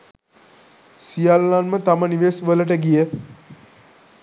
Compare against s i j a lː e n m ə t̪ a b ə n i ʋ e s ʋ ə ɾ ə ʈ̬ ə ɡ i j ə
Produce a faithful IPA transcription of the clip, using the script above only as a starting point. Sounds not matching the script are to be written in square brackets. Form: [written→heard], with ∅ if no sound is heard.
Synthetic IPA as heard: s i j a lː [e→a] n m ə t̪ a [b→m] ə n i ʋ e s ʋ ə [ɾ→l] ə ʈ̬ ə ɡ i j ə